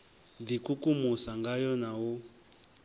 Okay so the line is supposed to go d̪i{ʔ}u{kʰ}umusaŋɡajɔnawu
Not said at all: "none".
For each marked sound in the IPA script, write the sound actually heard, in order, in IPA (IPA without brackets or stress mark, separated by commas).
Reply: k, k